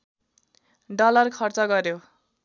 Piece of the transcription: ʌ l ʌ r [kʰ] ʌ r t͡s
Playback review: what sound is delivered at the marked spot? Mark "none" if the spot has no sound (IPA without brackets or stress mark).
kʰ